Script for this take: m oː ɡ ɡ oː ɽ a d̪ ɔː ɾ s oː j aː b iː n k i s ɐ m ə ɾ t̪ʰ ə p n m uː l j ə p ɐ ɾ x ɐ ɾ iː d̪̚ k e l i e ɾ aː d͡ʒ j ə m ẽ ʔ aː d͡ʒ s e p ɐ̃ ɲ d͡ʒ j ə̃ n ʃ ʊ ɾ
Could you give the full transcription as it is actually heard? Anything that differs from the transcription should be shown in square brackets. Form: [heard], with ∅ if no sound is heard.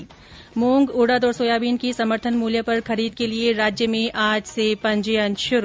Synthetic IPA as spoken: m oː [ŋ] ɡ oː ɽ a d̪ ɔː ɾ s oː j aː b iː n k i s ɐ m ə ɾ t̪ʰ ə [∅] n m uː l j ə p ɐ ɾ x ɐ ɾ iː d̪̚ k e l i e ɾ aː d͡ʒ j ə m ẽ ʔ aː d͡ʒ s e p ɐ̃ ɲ d͡ʒ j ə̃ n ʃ ʊ ɾ